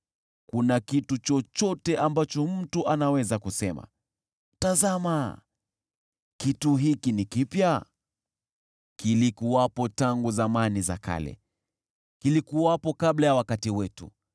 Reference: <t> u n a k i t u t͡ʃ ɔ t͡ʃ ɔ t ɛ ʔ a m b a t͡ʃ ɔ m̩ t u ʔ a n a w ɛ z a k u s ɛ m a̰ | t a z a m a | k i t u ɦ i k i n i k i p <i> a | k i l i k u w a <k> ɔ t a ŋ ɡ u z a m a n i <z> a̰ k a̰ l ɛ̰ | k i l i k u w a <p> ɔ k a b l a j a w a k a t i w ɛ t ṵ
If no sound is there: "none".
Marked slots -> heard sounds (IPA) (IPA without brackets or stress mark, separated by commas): k, j, p, z, p